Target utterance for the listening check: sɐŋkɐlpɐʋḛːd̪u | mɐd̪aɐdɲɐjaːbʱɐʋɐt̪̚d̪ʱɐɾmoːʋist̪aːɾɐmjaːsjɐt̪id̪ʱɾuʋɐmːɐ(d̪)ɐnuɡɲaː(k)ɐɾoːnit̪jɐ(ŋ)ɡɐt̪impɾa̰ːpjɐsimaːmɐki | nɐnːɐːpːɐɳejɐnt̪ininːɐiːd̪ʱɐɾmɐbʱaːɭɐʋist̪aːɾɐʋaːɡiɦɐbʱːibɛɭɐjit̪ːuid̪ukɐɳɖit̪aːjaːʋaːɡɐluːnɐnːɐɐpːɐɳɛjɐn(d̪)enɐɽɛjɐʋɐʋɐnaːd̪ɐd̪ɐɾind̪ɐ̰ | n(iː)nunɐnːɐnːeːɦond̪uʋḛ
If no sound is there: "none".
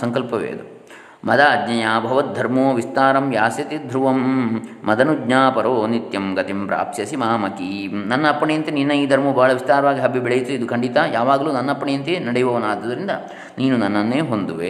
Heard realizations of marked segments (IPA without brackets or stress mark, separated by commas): d̪, p, m, t̪, iː